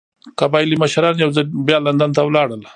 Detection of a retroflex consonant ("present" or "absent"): present